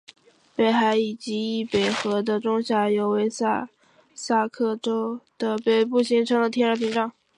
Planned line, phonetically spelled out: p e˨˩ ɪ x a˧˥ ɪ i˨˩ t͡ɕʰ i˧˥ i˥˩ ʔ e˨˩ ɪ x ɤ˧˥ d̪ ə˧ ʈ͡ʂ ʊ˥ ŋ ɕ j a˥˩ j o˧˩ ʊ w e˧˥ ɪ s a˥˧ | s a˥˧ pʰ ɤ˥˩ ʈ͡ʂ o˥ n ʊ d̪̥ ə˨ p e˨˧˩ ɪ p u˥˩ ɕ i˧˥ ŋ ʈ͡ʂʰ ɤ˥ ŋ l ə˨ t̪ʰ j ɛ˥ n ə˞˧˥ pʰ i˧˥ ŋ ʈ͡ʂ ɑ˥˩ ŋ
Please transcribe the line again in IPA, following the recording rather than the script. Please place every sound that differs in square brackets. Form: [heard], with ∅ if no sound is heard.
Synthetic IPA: p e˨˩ ɪ x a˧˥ ɪ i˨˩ [t͡ɕ] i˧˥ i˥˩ [p] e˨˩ ɪ x ɤ˧˥ d̪ ə˧ ʈ͡ʂ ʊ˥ ŋ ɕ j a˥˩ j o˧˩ ʊ w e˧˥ ɪ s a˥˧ | s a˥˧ [kʰ] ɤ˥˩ ʈ͡ʂ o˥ [∅] ʊ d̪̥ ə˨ p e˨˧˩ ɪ p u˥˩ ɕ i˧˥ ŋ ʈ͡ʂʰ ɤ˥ ŋ l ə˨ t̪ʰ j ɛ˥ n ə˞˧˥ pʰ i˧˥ ŋ ʈ͡ʂ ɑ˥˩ ŋ